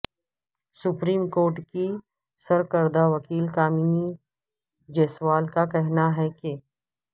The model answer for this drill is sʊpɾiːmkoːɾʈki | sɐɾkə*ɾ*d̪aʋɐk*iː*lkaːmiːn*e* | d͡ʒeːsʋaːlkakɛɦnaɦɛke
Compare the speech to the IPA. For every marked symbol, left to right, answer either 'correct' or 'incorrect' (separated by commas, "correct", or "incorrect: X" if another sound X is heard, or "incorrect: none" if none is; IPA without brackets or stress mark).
correct, correct, incorrect: i